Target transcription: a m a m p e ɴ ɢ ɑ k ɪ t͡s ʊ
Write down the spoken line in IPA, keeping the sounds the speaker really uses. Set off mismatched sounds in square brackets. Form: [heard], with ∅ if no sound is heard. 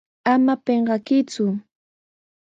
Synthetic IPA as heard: a m a [∅] p e ɴ ɢ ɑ k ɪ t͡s ʊ